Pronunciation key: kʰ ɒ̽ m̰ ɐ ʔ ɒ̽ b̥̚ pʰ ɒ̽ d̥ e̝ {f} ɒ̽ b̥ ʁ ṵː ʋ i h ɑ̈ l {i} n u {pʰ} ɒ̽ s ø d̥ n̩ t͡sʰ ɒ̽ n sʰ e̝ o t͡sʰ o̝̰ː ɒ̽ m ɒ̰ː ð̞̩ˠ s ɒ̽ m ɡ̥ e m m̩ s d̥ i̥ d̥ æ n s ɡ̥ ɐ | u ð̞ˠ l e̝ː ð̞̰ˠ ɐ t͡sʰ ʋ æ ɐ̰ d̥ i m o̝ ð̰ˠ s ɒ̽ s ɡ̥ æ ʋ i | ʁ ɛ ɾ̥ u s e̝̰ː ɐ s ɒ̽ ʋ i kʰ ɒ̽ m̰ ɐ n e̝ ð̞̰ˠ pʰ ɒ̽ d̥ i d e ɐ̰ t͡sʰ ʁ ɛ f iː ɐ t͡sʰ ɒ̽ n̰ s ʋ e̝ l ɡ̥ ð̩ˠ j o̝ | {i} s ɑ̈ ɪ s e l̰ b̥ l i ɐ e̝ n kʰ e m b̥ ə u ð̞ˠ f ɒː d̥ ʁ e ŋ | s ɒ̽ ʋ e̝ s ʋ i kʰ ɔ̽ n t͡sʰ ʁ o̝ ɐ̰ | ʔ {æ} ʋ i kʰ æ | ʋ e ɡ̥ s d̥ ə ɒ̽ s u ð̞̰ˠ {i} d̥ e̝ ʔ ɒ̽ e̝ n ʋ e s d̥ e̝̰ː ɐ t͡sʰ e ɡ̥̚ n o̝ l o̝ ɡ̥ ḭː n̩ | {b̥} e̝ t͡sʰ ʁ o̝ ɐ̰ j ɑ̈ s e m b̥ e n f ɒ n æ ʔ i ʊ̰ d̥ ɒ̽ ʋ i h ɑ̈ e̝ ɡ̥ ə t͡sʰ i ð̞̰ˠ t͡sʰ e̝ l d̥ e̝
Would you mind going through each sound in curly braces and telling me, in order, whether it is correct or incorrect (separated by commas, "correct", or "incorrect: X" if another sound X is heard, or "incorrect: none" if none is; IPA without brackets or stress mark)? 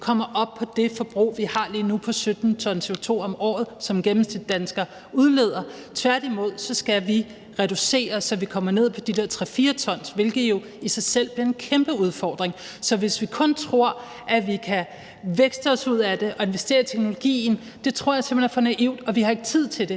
correct, incorrect: iː, correct, correct, correct, incorrect: æ, incorrect: d̥